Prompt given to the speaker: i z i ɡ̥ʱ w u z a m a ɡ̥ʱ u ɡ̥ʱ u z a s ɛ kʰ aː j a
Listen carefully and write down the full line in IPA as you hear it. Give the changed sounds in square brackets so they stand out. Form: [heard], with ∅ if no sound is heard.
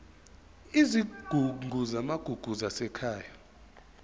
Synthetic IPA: i z i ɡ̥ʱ [u] u z a m a ɡ̥ʱ u ɡ̥ʱ u z a s ɛ kʰ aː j a